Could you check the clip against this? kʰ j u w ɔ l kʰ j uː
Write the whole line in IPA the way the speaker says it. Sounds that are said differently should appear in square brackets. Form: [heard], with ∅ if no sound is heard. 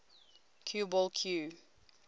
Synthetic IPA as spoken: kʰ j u [b] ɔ l kʰ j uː